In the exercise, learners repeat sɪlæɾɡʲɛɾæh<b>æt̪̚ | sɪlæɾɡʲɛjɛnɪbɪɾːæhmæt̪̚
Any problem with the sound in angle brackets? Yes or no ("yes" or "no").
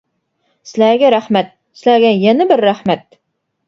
yes